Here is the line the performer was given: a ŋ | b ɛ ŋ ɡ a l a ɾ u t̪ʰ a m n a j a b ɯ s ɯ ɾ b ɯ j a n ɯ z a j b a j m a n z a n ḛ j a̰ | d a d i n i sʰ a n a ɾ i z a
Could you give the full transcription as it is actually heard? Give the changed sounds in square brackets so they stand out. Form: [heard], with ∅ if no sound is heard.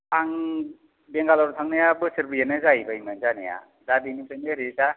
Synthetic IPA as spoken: a ŋ | b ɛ ŋ ɡ a l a ɾ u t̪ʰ a [ŋ] n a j a b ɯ s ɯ ɾ b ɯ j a n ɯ z a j b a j m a n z a n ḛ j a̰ | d a d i n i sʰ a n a ɾ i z a